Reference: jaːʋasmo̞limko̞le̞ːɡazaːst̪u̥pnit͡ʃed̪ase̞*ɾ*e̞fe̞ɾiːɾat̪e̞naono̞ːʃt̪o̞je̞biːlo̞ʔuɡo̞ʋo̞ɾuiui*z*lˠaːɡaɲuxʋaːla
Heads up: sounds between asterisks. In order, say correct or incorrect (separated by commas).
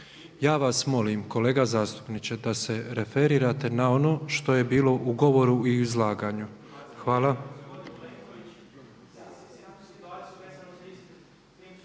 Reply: correct, correct